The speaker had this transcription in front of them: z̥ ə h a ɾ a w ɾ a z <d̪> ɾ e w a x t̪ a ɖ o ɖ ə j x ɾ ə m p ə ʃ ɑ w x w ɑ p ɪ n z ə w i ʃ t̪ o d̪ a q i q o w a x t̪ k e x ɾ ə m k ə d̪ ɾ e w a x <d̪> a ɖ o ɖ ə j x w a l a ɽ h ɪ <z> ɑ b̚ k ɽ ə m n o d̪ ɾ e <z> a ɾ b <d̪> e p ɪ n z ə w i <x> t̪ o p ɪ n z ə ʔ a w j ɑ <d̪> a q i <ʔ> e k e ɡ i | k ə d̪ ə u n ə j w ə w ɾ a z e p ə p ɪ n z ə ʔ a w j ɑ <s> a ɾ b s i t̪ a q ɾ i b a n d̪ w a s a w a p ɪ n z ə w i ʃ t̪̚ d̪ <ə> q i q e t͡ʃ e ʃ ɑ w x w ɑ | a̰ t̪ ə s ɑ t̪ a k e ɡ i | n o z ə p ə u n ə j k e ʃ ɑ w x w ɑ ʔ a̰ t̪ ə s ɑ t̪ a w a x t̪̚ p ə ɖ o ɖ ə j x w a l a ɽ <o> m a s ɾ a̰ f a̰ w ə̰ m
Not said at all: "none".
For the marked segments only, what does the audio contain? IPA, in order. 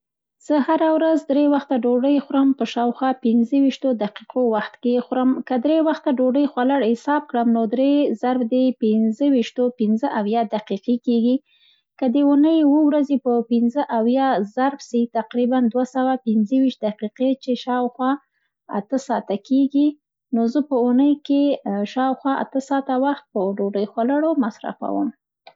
d̪, t̪, s, z, d̪, ʃ, d̪, q, z, a, o

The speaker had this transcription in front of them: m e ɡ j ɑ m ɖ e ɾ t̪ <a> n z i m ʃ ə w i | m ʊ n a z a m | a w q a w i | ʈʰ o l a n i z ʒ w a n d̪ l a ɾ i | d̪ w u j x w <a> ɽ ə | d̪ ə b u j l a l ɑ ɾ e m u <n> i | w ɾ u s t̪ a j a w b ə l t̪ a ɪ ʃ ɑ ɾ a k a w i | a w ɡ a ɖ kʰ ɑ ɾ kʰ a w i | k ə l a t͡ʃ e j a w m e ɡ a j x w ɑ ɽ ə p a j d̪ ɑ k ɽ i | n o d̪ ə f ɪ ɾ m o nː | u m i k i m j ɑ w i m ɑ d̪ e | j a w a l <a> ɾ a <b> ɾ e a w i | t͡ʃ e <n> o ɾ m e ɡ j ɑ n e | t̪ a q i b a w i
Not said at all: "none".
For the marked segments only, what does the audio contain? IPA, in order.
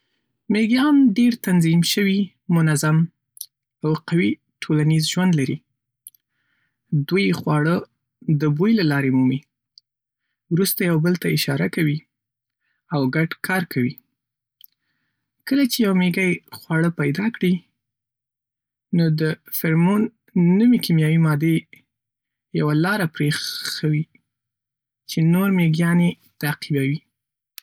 a, ɑ, m, ɑ, p, n

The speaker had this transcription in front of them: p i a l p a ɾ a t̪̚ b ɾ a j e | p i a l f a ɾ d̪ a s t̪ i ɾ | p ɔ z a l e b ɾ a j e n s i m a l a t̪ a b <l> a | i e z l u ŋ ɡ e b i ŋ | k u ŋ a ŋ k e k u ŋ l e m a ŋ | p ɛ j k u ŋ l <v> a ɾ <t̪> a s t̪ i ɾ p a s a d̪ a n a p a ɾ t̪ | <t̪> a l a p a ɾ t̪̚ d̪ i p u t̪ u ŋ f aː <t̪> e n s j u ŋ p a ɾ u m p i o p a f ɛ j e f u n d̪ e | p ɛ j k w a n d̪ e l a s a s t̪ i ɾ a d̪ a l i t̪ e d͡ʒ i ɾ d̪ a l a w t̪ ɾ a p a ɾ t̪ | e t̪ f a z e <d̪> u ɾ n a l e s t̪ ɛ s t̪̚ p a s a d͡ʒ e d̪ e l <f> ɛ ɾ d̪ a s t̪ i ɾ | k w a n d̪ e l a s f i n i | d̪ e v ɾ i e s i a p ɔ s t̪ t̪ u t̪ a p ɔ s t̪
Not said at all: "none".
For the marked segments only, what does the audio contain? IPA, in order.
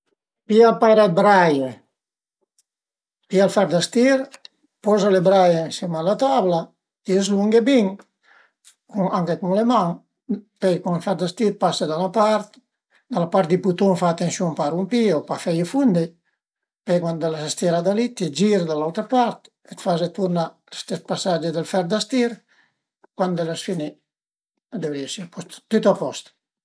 l, f, d̪, d̪, t̪, t̪, f

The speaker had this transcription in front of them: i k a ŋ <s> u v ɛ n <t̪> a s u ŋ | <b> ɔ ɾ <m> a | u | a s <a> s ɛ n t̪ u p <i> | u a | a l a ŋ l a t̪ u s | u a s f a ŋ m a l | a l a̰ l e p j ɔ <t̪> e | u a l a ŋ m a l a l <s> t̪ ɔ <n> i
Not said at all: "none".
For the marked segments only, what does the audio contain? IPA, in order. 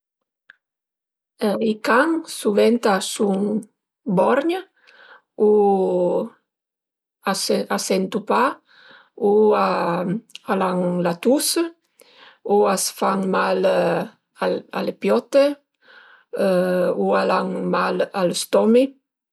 s, t̪, b, ɲ, a, a, t̪, s, m

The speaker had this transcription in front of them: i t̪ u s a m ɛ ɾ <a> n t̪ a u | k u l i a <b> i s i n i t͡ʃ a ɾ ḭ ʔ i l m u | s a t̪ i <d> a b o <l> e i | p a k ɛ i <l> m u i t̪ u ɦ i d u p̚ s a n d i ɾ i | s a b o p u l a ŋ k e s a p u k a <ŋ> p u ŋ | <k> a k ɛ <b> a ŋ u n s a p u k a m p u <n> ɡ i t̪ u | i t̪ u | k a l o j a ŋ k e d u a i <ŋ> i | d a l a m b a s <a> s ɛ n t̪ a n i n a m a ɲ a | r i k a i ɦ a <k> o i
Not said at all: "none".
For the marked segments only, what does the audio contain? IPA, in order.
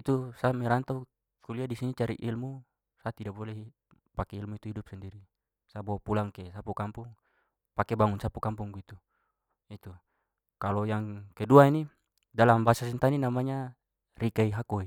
a, d, d, l, l, m, p, b, ŋ, n, a, k

